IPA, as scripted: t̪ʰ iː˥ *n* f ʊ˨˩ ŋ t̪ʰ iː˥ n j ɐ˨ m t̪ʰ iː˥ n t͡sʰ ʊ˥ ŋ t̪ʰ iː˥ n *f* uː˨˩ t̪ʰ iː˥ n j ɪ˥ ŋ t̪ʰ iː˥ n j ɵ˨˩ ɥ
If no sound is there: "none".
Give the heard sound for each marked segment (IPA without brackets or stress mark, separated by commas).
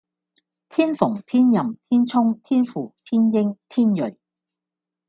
n, f